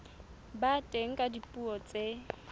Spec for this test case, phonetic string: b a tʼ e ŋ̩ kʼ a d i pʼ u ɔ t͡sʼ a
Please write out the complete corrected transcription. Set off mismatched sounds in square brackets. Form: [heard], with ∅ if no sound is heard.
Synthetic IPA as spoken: b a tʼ e ŋ̩ kʼ a d i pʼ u ɔ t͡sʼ [e]

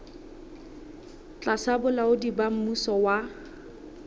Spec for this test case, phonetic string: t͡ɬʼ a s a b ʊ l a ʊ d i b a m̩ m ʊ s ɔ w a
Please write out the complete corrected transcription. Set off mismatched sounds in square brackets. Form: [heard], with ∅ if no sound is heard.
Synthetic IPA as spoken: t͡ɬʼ a s a b ʊ l a ʊ d i b a m̩ m [u] s ɔ w a

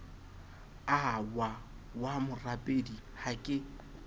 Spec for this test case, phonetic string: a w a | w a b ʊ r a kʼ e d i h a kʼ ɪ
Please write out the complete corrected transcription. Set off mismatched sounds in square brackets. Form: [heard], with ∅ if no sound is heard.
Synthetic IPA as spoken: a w a | w a [m] ʊ r a [pʼ] e d i h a kʼ ɪ

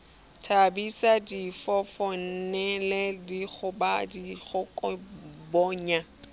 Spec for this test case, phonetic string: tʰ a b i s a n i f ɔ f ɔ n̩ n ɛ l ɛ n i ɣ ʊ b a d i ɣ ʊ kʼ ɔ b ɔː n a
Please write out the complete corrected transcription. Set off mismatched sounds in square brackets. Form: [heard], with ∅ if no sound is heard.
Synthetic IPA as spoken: tʰ a b i s a [d] i f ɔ f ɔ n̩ n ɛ l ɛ [d] i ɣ ʊ b a d i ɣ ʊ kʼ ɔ b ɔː [ɲ] a

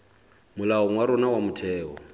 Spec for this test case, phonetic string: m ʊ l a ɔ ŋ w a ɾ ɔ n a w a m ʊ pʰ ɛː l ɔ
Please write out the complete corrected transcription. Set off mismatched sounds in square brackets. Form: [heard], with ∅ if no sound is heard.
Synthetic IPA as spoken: m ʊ l a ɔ ŋ w a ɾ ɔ n a w a m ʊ [tʰ] ɛː [∅] ɔ

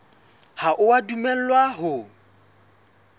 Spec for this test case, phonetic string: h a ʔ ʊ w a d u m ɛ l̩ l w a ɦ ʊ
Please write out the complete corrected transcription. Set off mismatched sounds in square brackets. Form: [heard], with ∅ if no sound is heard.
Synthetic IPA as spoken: h a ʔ ʊ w a d u m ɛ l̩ l w a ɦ ʊ

